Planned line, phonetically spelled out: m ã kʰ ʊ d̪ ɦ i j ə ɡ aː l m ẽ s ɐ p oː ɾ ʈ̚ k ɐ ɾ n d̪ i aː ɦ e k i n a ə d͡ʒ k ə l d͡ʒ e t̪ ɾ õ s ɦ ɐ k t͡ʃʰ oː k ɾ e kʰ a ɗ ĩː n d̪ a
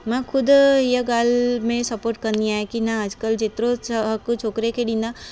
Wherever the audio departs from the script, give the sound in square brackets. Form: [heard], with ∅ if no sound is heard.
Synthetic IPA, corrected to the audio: m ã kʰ ʊ d̪ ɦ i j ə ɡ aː l m ẽ s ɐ p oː ɾ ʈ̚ k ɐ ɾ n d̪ i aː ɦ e k i n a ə d͡ʒ k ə l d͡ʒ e t̪ ɾ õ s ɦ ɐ k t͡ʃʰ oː k ɾ e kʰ [e] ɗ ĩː n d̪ a